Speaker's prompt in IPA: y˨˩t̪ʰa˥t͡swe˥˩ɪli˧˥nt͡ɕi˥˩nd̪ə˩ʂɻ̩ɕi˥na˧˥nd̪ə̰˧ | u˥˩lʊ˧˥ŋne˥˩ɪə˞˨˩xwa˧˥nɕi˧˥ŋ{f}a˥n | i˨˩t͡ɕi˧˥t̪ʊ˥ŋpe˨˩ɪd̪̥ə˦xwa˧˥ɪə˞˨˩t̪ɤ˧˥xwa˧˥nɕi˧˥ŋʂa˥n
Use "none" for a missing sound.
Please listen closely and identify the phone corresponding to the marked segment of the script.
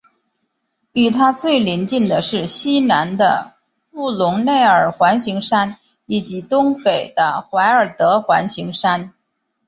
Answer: ʂ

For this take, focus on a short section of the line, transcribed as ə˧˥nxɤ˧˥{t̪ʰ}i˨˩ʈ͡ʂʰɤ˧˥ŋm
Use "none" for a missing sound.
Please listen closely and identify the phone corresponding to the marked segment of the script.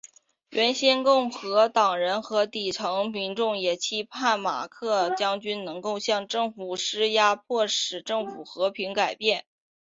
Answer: t̪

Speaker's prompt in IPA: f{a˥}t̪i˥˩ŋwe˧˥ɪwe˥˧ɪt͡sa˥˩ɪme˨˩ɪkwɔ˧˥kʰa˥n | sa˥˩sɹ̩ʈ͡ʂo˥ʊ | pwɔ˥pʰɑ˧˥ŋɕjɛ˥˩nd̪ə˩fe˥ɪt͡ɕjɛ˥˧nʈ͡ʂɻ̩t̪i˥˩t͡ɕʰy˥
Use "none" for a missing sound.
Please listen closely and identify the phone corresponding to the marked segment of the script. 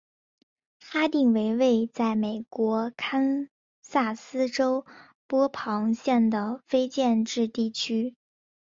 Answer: a˥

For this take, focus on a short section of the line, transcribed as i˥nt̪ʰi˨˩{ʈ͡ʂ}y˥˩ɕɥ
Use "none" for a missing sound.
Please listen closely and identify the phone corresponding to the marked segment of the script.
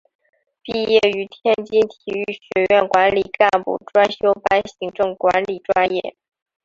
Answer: none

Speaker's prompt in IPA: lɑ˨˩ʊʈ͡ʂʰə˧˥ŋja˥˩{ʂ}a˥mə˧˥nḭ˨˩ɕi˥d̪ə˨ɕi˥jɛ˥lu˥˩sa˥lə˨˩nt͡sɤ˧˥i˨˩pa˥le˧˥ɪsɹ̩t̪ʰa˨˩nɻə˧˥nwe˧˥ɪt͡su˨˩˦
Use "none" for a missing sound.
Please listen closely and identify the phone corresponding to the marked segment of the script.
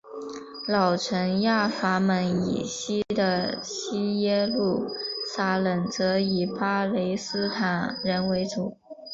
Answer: f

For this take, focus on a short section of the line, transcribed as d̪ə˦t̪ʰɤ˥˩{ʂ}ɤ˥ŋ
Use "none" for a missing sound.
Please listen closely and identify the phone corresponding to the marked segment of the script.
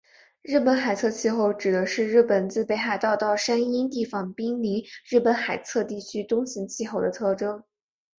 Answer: ʈ͡ʂ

